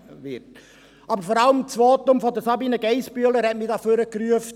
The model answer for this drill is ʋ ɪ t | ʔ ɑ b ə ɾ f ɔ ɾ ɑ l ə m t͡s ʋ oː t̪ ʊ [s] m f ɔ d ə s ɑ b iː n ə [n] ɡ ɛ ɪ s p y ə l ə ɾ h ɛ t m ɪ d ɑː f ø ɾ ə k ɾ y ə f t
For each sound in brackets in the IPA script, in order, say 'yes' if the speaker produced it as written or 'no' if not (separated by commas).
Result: no, no